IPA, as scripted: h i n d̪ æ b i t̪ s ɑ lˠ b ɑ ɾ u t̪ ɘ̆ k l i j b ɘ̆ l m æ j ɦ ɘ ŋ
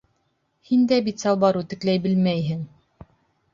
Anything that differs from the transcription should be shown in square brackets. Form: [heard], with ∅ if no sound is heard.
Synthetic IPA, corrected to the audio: h i n d̪ æ b i t̪ s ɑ lˠ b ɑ ɾ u t̪ ɘ̆ k l [æ] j b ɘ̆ l m æ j ɦ ɘ ŋ